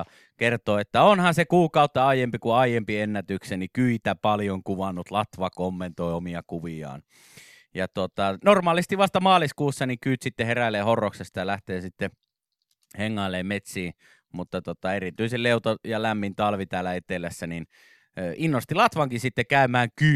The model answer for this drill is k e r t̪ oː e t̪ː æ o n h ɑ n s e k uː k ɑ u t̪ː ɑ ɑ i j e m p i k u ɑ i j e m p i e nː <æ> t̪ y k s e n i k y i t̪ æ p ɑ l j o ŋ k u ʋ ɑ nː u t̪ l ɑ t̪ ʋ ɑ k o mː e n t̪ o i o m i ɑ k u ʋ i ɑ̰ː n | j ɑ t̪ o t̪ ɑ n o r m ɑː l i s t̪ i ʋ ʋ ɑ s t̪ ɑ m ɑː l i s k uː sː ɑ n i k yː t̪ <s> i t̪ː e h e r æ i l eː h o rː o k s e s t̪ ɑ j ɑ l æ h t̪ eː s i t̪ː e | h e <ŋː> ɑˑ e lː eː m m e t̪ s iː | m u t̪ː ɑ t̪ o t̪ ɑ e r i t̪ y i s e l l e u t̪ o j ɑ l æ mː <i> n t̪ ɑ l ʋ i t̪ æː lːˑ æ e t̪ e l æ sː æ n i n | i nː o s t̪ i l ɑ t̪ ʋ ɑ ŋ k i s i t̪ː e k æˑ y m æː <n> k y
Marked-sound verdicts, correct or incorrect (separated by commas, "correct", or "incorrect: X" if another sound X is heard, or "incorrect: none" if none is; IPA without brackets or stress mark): correct, correct, correct, correct, incorrect: ŋ